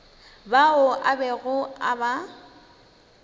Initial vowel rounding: unrounded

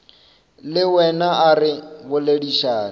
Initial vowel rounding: unrounded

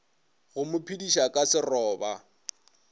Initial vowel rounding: rounded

